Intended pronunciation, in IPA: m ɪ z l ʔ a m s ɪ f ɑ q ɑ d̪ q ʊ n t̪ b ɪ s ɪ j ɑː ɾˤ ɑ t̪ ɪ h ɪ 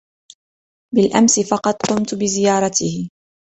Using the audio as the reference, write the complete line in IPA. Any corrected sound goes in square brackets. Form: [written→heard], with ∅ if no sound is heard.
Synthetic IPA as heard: [m→b] ɪ [z→∅] l ʔ a m s ɪ f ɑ q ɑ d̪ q ʊ [n→m] t̪ b ɪ [s→z] ɪ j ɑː ɾˤ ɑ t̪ ɪ h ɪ